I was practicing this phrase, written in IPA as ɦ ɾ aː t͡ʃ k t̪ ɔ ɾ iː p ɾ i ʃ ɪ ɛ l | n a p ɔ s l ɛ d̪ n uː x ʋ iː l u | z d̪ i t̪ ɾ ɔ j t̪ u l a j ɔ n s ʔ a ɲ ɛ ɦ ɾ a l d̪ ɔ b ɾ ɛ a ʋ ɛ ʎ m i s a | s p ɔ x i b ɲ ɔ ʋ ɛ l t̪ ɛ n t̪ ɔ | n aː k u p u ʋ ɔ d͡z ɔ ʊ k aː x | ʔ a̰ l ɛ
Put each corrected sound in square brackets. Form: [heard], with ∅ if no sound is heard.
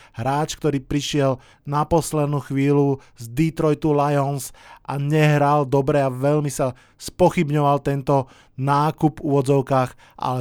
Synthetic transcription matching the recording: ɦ ɾ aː t͡ʃ k t̪ ɔ ɾ iː p ɾ i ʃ ɪ ɛ l | n a p ɔ s l ɛ d̪ n uː x ʋ iː l u | z d̪ i t̪ ɾ ɔ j t̪ u l a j ɔ n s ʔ a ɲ ɛ ɦ ɾ a l d̪ ɔ b ɾ ɛ a ʋ ɛ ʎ m i s a | s p ɔ x i b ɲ ɔ ʋ [a] l t̪ ɛ n t̪ ɔ | n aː k u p u ʋ ɔ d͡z ɔ ʊ k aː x | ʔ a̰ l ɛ